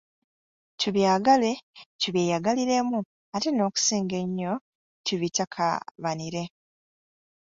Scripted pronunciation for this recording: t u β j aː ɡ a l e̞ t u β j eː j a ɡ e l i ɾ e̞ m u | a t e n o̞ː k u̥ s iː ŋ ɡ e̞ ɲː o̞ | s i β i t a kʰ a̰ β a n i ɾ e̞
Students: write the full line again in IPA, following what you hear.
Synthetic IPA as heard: t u β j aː ɡ a l e̞ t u β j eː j a ɡ a l i ɾ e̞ m u | a t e n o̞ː k u̥ s iː ŋ ɡ e̞ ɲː o̞ | t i β i t a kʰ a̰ β a n i ɾ e̞